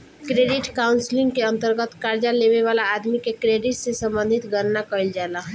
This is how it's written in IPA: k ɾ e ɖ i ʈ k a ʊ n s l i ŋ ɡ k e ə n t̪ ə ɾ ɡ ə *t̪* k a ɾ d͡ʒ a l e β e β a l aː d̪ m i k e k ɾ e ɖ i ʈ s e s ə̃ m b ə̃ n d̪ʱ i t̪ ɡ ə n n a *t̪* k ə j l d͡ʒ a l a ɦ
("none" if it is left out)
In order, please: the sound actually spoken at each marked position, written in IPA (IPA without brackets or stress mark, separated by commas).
t̪, none